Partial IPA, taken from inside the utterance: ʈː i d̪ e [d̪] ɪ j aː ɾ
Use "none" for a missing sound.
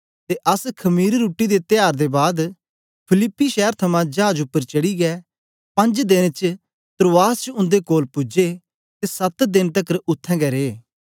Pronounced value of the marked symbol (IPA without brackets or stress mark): t̪